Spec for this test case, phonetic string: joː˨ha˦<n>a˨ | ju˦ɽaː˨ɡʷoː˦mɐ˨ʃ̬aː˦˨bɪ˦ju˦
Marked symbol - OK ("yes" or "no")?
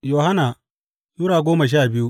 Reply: yes